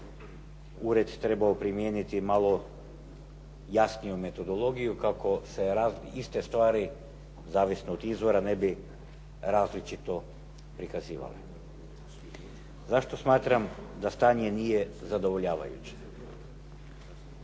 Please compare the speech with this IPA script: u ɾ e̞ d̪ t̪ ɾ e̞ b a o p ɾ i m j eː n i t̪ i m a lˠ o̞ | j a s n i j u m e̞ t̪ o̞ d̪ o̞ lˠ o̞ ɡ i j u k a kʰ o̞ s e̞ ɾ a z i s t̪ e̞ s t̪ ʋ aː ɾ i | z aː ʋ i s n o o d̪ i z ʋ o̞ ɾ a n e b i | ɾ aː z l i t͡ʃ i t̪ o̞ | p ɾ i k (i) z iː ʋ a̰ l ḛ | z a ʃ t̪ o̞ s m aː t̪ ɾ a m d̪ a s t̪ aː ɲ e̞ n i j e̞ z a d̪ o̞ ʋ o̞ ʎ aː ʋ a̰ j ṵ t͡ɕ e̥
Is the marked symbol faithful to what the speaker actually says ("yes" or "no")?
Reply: no